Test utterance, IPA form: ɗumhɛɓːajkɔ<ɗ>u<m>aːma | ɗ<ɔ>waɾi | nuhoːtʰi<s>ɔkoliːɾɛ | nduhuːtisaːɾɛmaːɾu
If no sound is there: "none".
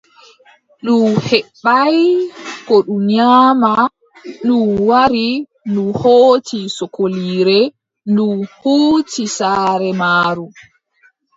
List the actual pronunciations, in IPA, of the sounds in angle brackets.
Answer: ɗ, ɲ, u, s

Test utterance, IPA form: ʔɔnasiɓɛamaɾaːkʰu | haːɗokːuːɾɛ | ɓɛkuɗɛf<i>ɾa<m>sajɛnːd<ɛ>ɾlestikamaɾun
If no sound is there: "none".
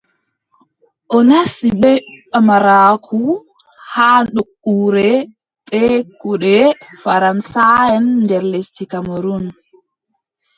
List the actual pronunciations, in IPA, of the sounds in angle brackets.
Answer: a, n, ɛ

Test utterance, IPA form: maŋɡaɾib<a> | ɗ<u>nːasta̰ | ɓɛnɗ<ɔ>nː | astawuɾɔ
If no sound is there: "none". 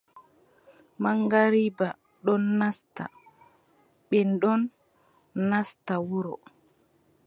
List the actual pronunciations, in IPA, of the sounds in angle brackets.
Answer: a, ɔ, ɔ

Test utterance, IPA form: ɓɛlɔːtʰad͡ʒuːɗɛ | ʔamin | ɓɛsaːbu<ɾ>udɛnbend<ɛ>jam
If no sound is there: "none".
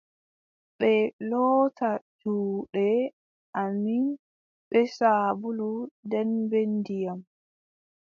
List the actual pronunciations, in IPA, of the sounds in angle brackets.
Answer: l, i

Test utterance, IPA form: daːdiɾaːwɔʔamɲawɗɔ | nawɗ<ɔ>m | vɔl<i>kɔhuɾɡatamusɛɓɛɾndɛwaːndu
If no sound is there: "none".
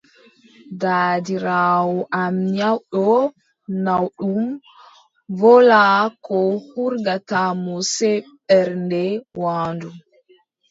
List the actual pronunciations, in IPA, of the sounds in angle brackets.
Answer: u, a

